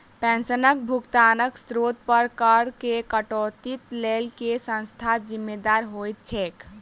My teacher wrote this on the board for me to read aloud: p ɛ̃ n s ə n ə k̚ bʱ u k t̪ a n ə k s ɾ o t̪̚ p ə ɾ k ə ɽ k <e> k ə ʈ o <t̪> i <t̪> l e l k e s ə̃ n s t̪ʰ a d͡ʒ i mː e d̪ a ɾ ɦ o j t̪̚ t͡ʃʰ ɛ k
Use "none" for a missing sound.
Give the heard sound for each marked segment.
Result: e, t̪, t̪

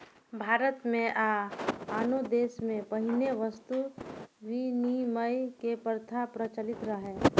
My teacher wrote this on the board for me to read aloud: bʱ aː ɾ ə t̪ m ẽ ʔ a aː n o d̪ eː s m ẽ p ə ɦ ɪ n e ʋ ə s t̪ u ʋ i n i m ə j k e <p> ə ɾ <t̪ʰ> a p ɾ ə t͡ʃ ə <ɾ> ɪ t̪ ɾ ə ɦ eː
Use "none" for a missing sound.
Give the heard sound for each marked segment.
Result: p, t̪ʰ, l

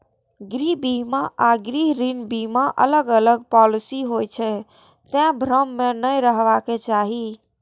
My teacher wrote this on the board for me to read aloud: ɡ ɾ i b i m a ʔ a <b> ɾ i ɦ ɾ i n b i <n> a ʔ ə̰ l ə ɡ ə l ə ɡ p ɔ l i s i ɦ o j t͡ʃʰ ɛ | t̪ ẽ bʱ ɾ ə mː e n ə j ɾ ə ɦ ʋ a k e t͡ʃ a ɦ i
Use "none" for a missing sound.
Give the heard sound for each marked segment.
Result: ɡ, m

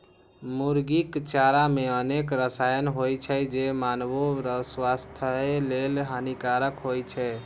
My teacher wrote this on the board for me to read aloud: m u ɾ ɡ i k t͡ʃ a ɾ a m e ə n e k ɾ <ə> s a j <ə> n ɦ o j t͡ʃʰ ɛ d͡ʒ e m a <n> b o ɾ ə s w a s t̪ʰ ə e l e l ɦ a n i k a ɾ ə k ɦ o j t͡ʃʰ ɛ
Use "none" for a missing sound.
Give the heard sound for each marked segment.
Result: ə, ə, n

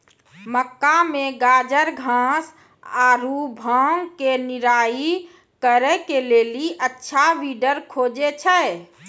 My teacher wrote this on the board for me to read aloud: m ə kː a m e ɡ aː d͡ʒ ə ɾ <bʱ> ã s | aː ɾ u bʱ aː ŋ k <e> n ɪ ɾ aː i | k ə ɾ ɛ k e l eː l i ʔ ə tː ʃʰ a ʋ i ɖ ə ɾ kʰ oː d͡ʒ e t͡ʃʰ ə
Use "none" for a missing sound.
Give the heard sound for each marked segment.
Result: ɡʱ, e

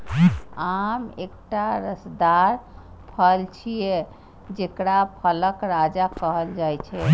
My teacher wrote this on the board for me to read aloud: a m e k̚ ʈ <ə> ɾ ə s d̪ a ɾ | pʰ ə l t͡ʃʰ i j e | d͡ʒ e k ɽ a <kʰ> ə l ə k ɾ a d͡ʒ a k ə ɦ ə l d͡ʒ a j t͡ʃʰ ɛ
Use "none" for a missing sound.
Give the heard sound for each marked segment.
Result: a, pʰ

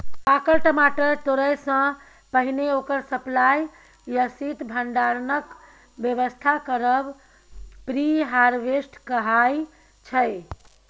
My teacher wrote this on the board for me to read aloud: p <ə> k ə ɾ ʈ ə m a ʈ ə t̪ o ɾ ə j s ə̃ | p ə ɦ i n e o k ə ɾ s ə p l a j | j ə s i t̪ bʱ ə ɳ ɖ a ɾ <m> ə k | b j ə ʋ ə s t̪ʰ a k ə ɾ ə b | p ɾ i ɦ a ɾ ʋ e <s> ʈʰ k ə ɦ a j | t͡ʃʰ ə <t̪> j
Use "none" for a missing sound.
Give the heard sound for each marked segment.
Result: a, n, s, none

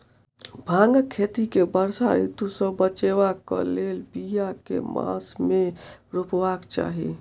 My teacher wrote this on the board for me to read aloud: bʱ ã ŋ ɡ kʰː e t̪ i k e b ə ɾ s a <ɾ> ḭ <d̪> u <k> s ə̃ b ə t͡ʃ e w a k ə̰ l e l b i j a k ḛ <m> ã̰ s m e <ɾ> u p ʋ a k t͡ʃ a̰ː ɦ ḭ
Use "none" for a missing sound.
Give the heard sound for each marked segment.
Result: ɾ, t̪, none, m, ɾ

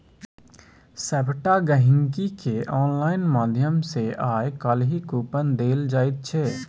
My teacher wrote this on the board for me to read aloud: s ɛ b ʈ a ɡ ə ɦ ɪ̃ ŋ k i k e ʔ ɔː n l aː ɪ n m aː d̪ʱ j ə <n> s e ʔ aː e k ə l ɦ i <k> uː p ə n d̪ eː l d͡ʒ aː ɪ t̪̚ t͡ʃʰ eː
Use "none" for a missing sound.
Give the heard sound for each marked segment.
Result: m, k

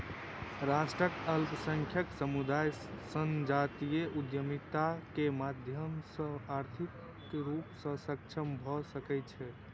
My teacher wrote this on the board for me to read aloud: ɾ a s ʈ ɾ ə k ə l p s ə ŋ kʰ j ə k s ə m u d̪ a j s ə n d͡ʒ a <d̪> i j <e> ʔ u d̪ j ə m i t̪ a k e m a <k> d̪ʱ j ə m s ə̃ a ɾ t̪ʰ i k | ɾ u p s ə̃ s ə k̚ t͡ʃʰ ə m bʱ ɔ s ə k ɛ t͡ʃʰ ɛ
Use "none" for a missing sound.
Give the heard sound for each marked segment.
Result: t̪, e, none

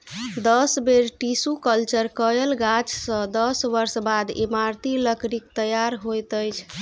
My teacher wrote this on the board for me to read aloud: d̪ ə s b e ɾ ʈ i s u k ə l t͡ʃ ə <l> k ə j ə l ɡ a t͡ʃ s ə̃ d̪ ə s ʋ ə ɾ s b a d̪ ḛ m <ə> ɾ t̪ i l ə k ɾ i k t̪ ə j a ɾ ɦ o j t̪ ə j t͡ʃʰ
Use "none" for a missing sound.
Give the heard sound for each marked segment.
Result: ɾ, a

